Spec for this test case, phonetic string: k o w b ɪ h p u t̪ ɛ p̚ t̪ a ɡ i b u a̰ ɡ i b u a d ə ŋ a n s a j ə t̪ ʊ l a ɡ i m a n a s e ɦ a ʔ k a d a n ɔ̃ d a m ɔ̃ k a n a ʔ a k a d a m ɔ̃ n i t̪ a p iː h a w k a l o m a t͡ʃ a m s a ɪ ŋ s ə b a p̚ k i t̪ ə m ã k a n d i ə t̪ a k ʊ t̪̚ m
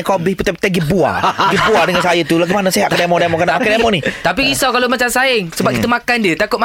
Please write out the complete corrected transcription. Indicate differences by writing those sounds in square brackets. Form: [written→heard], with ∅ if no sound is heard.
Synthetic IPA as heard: k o [w→∅] b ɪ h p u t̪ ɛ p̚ t̪ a ɡ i b u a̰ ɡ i b u a d ə ŋ a n s a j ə t̪ [ʊ→u] l a ɡ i m a n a s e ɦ a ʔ k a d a [n→m] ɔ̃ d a m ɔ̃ k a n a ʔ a k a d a m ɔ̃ n i t̪ a p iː [h→s] a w k a l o m a t͡ʃ a m s a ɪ ŋ s ə b a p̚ k i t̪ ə m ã k a n d i ə t̪ a k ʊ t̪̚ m